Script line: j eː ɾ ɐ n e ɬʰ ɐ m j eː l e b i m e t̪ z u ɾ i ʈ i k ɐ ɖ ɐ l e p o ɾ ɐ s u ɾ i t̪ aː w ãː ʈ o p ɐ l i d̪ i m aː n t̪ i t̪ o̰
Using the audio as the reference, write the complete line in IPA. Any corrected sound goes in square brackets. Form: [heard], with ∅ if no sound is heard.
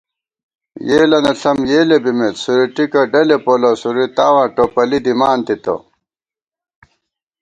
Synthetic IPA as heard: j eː [l] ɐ n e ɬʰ ɐ m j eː l e b i m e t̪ [s] u ɾ i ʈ i k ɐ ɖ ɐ l e p o [l] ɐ s u ɾ i t̪ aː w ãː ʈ o p ɐ l i d̪ i m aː n t̪ i t̪ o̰